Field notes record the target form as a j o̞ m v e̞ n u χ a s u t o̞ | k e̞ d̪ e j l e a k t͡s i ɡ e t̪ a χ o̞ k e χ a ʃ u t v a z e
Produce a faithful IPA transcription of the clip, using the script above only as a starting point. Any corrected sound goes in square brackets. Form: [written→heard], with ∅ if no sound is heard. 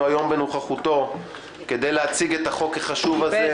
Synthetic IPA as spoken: a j o̞ m [v→b] e̞ n u χ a [s→χ] u t o̞ | k e̞ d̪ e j l e a [k→∅] t͡s i ɡ e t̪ a χ o̞ k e χ a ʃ u [t→∅] v a z e